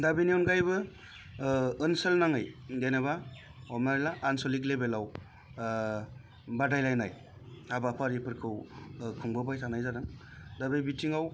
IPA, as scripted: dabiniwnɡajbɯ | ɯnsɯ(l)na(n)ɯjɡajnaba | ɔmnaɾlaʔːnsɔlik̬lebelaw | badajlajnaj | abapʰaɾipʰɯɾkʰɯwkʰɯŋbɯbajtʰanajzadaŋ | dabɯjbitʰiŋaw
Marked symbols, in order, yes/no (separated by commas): yes, no